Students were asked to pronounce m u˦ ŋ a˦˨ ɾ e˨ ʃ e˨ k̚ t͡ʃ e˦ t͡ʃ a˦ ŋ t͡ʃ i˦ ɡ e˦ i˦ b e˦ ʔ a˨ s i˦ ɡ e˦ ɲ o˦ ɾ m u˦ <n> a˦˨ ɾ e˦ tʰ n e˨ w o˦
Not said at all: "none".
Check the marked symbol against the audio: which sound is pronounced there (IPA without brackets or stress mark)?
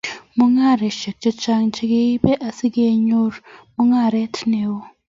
ŋ